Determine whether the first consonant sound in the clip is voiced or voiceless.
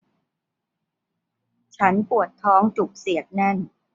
voiceless